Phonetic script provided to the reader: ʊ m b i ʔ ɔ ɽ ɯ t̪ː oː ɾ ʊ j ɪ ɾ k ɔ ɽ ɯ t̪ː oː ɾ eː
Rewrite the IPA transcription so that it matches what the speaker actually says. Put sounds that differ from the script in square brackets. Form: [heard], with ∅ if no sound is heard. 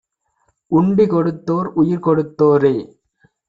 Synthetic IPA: ʊ [ɳ] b i [k] ɔ ɽ ɯ t̪ː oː ɾ ʊ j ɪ ɾ k ɔ ɽ ɯ t̪ː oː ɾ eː